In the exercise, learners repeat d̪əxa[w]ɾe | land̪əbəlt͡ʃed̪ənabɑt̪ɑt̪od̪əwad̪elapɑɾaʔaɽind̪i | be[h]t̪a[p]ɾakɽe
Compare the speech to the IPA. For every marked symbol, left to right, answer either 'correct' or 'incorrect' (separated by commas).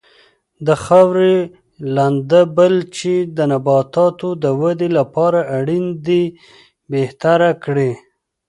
correct, correct, incorrect